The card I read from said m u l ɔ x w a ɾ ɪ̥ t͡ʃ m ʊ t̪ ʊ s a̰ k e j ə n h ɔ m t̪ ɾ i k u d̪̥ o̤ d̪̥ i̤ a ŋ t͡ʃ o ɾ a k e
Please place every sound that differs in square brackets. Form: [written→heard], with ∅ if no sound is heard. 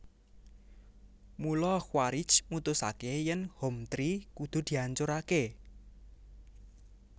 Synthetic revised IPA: m u l ɔ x w a ɾ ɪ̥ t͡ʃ m [ʊ→u] t̪ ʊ s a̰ k e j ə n h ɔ m t̪ ɾ i k u d̪̥ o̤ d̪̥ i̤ a [ŋ→ɲ] t͡ʃ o ɾ a k e